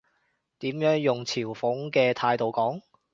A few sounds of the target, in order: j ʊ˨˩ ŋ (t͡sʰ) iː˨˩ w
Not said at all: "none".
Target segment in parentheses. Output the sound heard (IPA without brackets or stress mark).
t͡sʰ